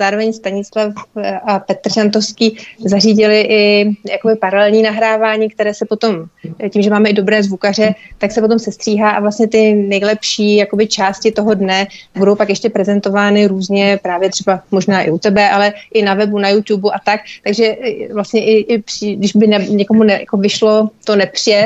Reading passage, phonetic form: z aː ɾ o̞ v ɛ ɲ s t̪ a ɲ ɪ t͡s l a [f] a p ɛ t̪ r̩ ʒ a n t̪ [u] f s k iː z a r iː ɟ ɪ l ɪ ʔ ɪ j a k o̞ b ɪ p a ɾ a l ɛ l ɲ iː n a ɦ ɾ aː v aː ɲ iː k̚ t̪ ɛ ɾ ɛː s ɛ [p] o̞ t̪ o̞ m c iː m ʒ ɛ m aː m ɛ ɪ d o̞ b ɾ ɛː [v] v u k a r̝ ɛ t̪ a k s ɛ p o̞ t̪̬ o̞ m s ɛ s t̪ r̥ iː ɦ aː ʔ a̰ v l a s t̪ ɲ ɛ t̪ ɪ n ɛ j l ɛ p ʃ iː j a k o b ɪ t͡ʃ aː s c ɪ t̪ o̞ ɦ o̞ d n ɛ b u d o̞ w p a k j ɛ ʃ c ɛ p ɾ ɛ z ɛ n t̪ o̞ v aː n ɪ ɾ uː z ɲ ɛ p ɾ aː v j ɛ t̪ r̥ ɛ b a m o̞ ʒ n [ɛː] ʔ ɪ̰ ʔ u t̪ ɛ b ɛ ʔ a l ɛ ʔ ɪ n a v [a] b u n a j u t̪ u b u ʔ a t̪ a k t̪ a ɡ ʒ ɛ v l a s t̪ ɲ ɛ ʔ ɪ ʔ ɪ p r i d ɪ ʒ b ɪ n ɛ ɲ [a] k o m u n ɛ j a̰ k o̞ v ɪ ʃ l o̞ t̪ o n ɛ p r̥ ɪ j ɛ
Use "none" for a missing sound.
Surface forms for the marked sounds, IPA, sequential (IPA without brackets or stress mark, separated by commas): f, o, p, z, aː, ɛ, ɛ